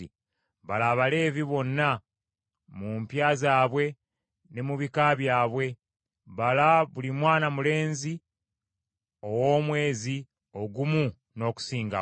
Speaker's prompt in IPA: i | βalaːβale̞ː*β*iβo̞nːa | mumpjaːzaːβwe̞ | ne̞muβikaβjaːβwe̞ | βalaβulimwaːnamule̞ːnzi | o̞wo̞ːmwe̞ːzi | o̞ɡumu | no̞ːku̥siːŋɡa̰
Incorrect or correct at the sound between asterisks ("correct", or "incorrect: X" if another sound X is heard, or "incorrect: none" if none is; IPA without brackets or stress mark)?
incorrect: v